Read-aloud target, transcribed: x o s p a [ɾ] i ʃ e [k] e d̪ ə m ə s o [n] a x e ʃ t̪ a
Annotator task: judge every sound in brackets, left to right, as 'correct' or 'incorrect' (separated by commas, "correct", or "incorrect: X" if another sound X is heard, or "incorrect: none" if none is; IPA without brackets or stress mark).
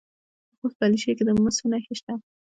incorrect: l, correct, correct